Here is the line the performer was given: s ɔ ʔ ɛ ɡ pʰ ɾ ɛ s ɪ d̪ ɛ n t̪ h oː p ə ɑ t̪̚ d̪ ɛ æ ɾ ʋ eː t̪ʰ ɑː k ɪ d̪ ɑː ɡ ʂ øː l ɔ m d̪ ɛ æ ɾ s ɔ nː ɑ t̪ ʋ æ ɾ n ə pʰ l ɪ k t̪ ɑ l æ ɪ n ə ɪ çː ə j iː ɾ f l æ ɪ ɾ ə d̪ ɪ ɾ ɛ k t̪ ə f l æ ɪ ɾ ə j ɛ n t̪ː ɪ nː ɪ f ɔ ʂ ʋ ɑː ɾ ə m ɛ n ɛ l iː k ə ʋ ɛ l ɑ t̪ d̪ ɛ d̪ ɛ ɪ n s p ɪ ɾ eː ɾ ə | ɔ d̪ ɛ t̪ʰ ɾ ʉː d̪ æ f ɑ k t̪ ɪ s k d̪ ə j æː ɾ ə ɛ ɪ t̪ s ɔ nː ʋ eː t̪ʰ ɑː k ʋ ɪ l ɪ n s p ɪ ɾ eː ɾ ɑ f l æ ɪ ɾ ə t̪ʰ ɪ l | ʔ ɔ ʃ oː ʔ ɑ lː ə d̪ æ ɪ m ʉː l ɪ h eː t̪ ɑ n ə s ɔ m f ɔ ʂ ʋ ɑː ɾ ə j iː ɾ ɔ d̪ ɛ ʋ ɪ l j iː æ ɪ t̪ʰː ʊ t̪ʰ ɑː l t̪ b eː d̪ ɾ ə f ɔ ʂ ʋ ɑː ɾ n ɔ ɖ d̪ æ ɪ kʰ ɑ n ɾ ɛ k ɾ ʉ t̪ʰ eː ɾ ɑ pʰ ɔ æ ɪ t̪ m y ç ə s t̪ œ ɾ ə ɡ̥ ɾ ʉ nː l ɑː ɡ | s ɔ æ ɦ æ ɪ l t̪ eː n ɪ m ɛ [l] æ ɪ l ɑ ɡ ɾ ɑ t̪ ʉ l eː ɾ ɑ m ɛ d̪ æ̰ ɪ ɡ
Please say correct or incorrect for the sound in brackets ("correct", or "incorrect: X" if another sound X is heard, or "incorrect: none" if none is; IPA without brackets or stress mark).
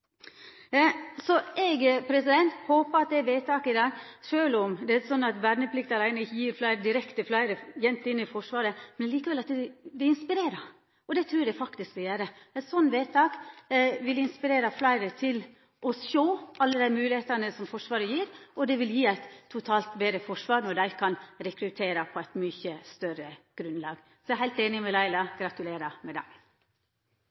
correct